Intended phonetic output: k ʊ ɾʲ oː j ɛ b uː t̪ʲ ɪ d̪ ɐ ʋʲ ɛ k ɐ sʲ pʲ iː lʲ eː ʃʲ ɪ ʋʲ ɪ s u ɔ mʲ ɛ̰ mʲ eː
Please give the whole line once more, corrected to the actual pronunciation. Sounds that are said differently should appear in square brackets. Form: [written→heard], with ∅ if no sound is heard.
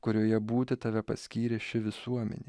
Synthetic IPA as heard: k ʊ ɾʲ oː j ɛ b uː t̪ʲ ɪ [d̪→t̪] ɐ ʋʲ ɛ [k→p] ɐ sʲ [pʲ→kʲ] iː [lʲ→ɾʲ] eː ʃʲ ɪ ʋʲ ɪ s u ɔ mʲ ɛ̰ [mʲ→nʲ] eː